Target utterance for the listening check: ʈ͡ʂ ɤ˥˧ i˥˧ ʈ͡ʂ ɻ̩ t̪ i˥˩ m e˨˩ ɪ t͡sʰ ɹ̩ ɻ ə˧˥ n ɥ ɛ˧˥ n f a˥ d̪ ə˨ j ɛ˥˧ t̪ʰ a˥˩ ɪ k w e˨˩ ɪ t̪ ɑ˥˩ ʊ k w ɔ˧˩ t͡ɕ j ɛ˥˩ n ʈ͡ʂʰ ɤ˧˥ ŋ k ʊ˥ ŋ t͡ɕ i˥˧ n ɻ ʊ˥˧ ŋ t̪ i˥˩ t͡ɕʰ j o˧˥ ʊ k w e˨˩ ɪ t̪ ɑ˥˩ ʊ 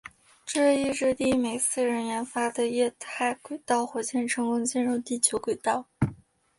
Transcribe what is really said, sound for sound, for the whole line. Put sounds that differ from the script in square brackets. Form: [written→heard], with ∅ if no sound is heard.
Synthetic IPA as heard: ʈ͡ʂ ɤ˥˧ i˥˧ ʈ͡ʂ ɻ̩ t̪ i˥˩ m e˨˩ ɪ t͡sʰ ɹ̩ ɻ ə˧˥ n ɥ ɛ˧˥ n f a˥ d̪ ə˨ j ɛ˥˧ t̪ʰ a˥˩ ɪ k w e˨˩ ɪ t̪ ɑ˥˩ ʊ [k→x] w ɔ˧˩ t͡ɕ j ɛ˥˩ n ʈ͡ʂʰ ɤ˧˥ ŋ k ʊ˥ ŋ t͡ɕ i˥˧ n ɻ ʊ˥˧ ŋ t̪ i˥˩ t͡ɕʰ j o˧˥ ʊ k w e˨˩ ɪ t̪ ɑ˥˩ ʊ